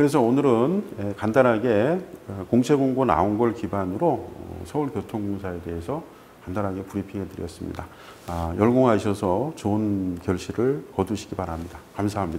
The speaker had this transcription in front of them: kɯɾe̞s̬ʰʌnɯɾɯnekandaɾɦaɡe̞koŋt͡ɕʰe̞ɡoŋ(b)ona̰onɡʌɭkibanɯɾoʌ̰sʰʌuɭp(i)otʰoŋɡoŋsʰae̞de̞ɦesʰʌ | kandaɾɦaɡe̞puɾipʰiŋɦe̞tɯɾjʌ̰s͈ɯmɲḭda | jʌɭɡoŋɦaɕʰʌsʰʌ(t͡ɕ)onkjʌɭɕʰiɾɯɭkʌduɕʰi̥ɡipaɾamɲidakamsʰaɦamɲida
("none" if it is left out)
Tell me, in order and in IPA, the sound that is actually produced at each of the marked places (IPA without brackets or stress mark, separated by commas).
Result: ɡ, j, t͡ɕ